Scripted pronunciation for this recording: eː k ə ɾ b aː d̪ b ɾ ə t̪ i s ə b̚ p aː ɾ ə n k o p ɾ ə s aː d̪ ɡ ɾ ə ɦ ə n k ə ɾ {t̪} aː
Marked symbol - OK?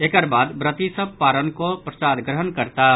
yes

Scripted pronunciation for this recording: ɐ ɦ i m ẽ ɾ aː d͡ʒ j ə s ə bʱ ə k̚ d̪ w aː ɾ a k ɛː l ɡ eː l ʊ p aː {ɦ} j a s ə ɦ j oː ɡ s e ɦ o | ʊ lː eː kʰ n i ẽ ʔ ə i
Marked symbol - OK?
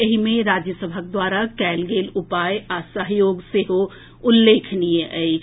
no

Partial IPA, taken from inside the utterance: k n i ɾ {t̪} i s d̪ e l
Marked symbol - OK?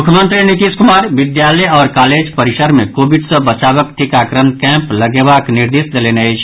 no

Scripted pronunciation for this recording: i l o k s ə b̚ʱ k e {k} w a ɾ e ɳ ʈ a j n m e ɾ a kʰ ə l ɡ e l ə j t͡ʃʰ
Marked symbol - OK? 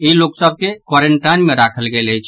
yes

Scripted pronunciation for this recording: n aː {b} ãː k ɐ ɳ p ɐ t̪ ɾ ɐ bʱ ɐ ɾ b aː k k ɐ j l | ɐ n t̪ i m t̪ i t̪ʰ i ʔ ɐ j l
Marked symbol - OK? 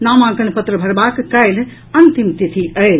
no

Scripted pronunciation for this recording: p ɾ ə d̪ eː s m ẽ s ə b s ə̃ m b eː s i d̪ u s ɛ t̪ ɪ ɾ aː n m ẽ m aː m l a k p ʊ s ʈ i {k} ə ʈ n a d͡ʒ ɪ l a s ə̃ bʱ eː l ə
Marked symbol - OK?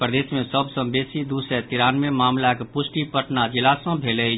no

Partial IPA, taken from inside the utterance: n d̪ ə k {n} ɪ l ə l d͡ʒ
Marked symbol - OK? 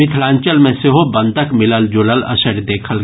no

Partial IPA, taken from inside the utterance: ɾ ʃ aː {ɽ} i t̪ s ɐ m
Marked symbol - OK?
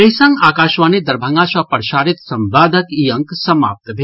no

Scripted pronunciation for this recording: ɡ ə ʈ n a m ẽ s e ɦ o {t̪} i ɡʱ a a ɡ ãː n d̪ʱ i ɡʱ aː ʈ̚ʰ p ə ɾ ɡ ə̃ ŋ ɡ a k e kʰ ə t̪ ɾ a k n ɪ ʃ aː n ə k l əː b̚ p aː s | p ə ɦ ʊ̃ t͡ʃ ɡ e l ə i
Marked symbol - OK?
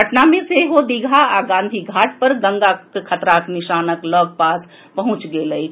no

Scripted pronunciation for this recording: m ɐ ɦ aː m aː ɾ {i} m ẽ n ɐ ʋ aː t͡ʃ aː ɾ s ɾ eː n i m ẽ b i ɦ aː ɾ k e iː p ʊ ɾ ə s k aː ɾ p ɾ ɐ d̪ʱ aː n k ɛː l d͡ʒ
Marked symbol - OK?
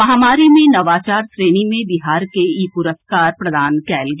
yes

